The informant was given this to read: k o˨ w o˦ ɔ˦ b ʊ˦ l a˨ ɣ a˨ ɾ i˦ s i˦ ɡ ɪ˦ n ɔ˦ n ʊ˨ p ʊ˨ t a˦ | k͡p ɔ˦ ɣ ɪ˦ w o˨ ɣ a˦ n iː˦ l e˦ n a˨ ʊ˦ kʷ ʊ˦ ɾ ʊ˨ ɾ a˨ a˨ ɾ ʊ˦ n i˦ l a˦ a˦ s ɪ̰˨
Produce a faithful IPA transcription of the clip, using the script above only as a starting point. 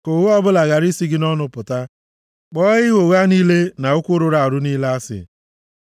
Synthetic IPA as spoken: k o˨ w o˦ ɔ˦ b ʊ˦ l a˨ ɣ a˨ ɾ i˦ s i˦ ɡ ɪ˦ n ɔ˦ n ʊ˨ p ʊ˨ t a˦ | k͡p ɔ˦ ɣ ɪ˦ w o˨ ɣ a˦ n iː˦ l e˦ n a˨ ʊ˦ kʷ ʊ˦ ɾ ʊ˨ ɾ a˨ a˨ ɾ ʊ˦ n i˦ l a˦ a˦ s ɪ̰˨